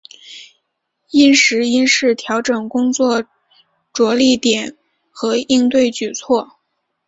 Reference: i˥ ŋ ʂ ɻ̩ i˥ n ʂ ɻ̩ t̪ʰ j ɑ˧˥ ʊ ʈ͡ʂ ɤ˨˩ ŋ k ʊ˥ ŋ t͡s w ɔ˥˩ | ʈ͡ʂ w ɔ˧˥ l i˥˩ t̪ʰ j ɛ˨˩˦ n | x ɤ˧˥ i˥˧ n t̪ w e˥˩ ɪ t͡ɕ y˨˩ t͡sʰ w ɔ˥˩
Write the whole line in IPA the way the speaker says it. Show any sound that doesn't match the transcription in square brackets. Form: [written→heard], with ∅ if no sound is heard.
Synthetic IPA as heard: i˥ [ŋ→n] ʂ ɻ̩ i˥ n ʂ ɻ̩ t̪ʰ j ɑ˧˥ ʊ ʈ͡ʂ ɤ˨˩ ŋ k ʊ˥ ŋ t͡s w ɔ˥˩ | ʈ͡ʂ w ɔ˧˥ l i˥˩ [t̪ʰ→t̪] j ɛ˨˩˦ n | x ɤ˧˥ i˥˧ [n→ŋ] t̪ w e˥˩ ɪ t͡ɕ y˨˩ t͡sʰ w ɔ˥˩